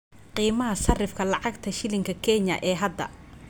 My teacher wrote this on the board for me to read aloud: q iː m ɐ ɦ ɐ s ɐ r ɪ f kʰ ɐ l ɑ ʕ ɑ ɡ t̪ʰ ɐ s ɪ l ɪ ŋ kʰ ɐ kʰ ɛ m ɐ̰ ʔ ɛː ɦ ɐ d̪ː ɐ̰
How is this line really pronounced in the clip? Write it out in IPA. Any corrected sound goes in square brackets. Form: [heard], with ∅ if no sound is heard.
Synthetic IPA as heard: q iː m ɐ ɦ ɐ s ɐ r ɪ f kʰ ɐ l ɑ ʕ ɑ ɡ t̪ʰ ɐ [ʃ] ɪ l ɪ ŋ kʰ ɐ kʰ ɛ [ɲ] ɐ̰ ʔ ɛː ɦ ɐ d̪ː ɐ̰